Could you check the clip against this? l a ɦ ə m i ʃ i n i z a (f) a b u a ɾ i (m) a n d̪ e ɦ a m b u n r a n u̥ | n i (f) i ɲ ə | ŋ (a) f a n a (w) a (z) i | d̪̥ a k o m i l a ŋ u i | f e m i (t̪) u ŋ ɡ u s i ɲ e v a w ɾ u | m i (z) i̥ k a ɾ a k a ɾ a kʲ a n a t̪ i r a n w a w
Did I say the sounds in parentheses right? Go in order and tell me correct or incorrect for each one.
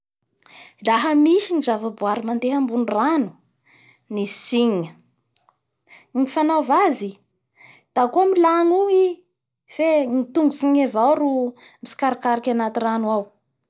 incorrect: v, correct, incorrect: s, incorrect: i, incorrect: v, correct, correct, incorrect: s

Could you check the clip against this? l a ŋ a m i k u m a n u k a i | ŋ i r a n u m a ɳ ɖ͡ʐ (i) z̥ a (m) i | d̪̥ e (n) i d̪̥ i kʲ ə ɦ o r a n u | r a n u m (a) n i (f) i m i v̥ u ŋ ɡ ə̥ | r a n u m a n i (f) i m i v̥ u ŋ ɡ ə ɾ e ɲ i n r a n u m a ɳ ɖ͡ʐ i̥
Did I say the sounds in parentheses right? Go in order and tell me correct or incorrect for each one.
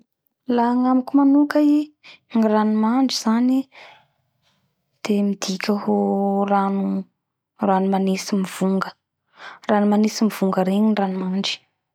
correct, incorrect: n, incorrect: m, correct, incorrect: s, incorrect: s

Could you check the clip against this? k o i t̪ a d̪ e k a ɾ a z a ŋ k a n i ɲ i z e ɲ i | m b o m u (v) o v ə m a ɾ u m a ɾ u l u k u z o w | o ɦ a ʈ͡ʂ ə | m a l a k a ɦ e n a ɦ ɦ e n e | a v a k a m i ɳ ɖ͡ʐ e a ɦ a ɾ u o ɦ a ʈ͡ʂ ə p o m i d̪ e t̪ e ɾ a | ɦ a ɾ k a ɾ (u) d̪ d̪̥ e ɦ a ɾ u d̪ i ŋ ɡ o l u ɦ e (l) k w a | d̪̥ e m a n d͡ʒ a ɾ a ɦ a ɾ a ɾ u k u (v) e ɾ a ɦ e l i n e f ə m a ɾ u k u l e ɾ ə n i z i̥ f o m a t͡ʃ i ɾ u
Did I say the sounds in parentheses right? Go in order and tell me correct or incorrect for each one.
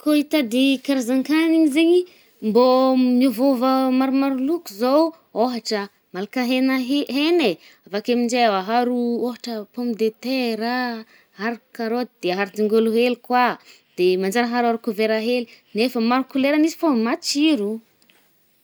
correct, incorrect: o, correct, correct

